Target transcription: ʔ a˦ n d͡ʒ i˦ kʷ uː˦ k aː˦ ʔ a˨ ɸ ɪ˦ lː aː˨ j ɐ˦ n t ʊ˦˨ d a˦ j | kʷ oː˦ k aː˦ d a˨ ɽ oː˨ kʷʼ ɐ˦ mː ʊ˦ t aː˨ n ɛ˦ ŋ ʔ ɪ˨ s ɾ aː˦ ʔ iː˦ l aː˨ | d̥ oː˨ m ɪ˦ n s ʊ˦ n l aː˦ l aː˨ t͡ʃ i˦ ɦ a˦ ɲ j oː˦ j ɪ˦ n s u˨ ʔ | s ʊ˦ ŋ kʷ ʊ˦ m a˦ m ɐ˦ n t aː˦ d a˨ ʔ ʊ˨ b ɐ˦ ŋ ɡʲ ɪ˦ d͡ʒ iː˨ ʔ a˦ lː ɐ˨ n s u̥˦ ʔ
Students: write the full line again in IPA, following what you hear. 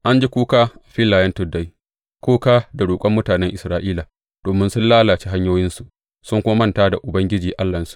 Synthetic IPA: ʔ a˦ n d͡ʒ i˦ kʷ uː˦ k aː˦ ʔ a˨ ɸ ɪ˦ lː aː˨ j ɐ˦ n t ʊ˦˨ d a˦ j | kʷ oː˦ k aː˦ d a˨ ɽ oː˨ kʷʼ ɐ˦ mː ʊ˦ t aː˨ n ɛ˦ ŋ ʔ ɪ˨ s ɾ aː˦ ʔ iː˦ l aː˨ | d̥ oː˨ m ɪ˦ n s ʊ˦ n l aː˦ l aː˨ t͡ʃ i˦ ɦ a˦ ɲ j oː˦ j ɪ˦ n s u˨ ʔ | s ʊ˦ ŋ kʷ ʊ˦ m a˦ m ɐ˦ n t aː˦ d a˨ ʔ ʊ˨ b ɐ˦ ŋ ɡʲ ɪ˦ d͡ʒ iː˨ ʔ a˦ lː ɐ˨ n s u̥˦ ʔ